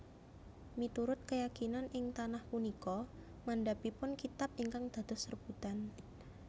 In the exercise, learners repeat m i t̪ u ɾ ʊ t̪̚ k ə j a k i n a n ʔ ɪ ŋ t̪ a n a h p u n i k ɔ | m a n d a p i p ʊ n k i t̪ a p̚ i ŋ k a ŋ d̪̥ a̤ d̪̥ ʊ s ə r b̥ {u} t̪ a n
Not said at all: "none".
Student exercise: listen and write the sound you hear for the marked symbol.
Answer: u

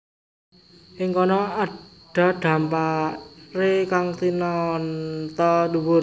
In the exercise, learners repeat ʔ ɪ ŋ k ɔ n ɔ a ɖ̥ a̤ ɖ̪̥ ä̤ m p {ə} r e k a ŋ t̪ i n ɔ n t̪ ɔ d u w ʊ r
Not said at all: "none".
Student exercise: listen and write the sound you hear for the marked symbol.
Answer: a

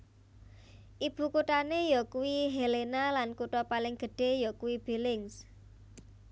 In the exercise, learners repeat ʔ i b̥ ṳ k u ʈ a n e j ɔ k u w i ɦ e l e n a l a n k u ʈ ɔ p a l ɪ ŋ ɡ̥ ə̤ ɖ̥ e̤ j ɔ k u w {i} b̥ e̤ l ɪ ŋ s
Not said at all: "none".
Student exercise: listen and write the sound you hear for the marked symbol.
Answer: i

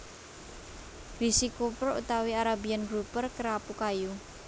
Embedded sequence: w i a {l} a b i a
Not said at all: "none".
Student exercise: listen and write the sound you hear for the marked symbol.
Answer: ɾ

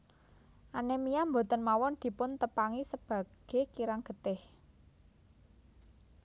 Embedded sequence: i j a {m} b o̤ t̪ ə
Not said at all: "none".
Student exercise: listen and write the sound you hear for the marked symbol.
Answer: m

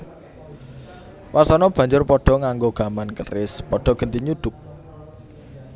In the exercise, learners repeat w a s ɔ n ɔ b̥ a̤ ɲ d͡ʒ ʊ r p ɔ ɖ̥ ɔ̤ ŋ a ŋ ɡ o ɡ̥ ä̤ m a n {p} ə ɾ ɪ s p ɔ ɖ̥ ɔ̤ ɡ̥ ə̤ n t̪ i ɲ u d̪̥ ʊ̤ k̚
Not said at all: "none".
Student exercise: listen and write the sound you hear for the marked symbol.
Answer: k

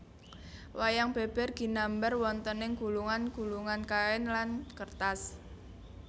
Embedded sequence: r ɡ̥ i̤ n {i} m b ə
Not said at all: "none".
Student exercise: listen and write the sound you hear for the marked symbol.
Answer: a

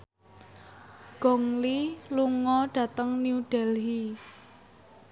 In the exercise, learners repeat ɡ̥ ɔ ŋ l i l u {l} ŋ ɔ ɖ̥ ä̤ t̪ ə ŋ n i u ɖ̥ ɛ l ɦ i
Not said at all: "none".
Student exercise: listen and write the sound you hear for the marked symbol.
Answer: none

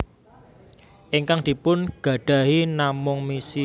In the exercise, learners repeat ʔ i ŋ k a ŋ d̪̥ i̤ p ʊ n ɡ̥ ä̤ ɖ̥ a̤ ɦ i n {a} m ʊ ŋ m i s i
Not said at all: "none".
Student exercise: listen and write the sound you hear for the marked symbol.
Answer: a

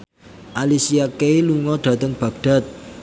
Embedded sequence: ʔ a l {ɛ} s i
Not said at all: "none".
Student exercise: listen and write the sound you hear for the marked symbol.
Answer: i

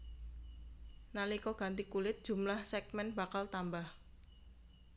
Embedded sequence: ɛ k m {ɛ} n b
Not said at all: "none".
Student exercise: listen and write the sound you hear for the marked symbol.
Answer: ɛ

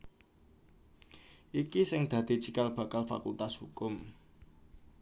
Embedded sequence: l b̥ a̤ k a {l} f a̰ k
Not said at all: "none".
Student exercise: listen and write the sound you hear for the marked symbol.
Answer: l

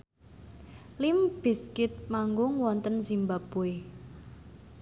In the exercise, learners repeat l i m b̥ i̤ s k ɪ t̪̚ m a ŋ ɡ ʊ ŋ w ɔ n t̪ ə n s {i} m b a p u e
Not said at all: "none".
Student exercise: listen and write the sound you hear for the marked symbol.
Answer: i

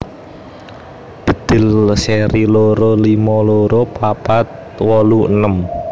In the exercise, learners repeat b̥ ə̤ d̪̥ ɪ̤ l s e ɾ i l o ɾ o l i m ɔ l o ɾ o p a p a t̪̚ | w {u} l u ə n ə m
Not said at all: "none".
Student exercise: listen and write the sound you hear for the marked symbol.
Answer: ɔ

